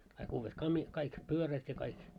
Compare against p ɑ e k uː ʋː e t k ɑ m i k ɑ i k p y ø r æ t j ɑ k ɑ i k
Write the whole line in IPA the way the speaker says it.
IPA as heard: k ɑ i k uː ʋː e t k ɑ m i k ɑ i k p y ø r æ t j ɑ k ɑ i k